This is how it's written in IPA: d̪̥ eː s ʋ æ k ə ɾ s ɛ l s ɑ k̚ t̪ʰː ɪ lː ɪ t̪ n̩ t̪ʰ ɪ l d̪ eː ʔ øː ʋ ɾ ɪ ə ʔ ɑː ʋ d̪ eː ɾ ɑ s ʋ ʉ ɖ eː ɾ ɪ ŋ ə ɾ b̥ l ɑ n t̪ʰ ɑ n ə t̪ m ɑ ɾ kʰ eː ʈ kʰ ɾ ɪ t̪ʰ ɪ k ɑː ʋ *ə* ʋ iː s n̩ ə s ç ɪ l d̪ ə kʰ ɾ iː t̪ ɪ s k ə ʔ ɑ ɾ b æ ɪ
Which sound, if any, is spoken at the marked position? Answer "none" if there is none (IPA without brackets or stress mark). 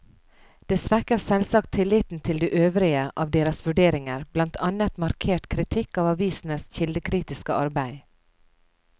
ɑ